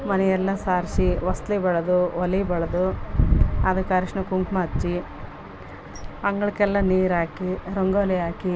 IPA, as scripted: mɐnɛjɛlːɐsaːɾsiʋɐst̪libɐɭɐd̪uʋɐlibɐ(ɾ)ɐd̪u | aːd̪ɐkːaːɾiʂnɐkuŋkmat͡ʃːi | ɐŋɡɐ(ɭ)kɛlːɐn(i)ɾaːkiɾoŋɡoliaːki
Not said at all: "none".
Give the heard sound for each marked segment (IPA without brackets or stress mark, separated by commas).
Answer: ɭ, ɭ, iː